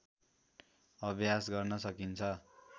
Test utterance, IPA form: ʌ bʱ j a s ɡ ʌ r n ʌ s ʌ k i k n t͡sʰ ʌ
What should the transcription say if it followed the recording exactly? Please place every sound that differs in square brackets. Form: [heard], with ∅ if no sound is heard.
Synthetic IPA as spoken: ʌ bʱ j a s ɡ ʌ r n ʌ s ʌ k i [∅] n t͡sʰ ʌ

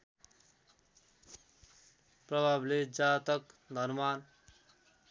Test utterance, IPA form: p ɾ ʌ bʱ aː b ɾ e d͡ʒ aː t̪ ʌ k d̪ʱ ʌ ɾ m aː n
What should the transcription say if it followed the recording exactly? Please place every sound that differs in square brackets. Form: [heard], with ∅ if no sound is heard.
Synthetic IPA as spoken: p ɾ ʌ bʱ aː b [l] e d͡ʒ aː t̪ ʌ k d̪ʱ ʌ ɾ m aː n

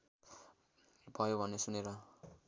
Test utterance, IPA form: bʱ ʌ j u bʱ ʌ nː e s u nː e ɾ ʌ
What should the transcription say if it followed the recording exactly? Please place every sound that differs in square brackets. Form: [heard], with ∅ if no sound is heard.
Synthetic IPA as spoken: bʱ ʌ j [o] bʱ ʌ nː e s u [n] e ɾ ʌ

